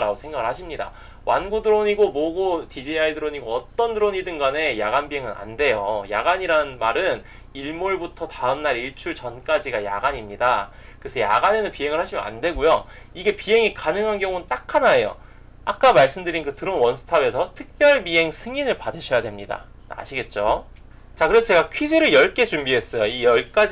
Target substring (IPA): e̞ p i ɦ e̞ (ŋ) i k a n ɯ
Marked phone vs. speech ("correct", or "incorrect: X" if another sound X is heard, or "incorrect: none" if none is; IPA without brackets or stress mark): correct